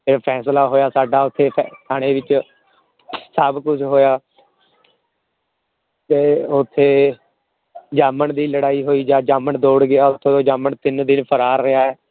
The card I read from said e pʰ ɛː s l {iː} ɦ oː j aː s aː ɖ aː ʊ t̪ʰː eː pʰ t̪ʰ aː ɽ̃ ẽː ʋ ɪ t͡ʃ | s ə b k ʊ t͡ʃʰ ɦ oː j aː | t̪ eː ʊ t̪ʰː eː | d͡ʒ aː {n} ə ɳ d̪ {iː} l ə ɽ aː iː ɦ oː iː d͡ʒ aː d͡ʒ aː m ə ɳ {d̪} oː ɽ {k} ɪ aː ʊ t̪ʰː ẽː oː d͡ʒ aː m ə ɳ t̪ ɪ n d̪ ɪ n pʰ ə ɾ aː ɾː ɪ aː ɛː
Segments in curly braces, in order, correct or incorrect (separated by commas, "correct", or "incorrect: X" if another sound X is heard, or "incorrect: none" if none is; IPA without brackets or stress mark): incorrect: aː, incorrect: m, correct, correct, incorrect: ɡ